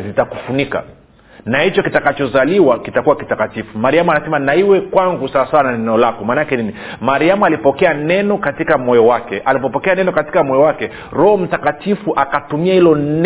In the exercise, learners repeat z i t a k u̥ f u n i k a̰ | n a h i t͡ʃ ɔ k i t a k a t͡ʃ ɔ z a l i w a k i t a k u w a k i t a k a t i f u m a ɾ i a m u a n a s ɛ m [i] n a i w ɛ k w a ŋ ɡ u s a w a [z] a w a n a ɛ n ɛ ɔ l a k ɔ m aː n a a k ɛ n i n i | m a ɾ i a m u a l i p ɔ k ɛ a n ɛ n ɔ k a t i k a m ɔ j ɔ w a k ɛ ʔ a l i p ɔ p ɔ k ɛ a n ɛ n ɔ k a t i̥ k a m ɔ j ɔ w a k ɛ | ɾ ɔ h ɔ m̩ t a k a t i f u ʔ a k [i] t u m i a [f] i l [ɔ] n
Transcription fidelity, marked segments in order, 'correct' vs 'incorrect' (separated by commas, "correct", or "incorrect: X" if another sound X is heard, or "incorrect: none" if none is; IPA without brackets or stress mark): incorrect: a, incorrect: s, incorrect: a, incorrect: h, correct